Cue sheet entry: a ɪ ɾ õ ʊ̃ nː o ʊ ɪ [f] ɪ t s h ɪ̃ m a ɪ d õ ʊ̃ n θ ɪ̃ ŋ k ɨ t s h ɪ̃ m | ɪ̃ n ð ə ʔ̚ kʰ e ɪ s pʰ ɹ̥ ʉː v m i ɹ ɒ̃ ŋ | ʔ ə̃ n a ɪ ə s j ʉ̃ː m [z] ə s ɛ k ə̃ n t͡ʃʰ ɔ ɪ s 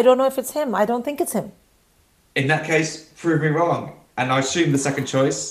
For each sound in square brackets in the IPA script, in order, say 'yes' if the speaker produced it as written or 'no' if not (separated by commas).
yes, no